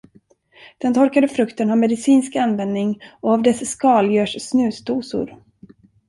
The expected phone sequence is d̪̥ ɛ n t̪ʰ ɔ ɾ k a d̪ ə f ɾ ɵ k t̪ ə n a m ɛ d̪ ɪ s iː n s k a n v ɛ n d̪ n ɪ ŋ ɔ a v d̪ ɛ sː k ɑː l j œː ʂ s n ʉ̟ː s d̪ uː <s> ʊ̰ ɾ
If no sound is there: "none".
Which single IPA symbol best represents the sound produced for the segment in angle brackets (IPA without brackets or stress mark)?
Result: s